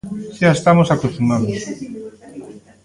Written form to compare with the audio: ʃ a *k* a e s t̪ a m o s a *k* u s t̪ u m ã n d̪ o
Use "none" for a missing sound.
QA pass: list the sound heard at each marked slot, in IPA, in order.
none, k

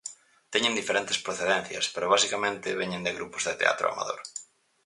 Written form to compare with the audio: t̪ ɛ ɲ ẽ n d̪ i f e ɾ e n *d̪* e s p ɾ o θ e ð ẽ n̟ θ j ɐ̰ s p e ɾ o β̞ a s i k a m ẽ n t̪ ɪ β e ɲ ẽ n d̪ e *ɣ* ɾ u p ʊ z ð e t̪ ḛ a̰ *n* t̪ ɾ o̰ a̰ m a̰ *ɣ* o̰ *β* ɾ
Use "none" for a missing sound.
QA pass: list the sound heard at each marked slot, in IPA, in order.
t̪, ɣ, none, ð, none

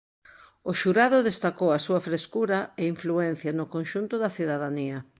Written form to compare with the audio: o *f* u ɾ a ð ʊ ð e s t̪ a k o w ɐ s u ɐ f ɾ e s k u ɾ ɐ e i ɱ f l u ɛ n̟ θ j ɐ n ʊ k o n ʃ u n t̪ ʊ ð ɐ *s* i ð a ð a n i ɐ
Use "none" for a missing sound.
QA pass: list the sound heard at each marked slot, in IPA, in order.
ʃ, θ

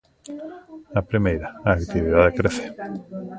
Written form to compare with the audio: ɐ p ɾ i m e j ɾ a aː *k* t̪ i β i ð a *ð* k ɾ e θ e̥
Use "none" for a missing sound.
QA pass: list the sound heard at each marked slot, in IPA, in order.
k, ð

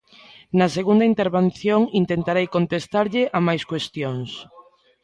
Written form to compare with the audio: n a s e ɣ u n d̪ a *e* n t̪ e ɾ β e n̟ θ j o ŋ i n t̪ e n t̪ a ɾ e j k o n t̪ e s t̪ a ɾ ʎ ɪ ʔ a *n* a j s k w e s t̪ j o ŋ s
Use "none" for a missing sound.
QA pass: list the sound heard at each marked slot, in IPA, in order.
i, m

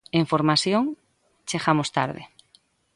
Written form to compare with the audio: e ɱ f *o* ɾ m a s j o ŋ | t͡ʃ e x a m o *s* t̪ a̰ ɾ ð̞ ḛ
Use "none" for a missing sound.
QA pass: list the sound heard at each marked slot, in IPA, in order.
o, s

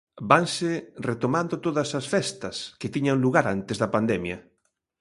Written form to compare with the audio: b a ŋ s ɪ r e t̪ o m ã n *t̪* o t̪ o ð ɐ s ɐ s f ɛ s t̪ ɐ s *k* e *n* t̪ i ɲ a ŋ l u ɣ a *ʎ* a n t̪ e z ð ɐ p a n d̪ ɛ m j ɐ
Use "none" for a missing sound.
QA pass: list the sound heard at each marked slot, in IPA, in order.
d̪, k, none, ɾ

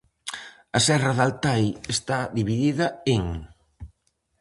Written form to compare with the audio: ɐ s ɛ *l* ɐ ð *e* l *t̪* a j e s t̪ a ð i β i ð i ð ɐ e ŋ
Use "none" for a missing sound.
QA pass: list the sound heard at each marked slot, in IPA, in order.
r, a, t̪

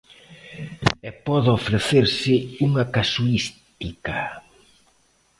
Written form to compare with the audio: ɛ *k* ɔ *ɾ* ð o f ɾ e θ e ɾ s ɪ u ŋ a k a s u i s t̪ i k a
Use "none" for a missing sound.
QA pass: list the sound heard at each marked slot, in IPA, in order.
p, none

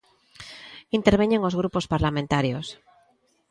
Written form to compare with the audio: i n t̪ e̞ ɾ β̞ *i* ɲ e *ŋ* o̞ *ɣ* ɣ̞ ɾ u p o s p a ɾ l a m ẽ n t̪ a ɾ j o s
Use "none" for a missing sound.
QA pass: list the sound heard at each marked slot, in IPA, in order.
e, ŋ, z

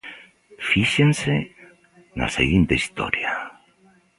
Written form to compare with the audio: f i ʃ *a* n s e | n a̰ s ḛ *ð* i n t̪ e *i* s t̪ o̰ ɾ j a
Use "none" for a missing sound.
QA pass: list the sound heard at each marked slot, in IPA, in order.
e, ɣ, i

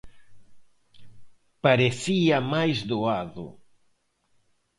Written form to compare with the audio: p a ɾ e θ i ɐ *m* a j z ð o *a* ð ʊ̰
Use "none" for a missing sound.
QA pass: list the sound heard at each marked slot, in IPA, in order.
m, a

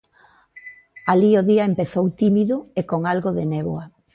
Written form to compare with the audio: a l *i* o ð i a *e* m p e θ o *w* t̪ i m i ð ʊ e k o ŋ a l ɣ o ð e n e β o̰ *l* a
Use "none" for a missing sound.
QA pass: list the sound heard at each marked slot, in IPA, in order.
i, e, w, none

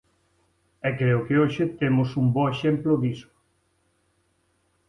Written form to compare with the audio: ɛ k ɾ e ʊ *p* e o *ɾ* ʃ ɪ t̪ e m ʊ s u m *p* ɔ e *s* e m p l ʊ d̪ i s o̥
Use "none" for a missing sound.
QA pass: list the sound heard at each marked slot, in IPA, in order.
k, none, b, ʃ

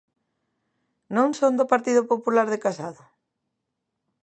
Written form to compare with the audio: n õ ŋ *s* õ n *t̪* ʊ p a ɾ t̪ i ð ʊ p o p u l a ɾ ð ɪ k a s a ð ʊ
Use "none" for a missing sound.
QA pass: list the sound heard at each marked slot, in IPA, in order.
s, d̪

